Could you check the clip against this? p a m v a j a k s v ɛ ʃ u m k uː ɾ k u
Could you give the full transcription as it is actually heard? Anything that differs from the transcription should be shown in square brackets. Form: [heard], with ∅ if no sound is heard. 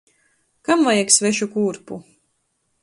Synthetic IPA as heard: [k] a m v a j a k s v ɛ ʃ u [∅] k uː ɾ [p] u